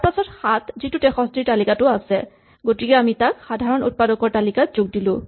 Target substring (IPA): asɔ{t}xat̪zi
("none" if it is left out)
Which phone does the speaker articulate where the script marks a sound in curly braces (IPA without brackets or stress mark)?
t